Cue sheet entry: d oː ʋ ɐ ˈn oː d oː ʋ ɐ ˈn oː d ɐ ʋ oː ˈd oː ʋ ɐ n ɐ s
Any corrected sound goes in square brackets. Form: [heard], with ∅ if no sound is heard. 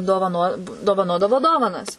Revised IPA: d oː ʋ ɐ ˈn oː d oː ʋ ɐ ˈn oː d ɐ ʋ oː ˈd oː ʋ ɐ n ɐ s